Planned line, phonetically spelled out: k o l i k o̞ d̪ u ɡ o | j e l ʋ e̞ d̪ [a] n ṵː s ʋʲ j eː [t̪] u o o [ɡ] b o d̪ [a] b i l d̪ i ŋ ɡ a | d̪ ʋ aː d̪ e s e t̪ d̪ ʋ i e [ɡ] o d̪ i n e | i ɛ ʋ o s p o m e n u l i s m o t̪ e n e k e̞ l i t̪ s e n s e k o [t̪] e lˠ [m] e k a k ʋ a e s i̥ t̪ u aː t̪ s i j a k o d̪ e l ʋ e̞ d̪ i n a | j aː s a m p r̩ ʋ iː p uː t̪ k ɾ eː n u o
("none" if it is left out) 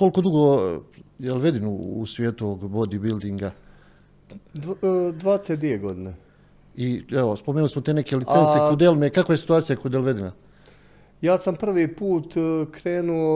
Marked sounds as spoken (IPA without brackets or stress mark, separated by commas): i, t̪, ɡ, i, ɡ, d̪, m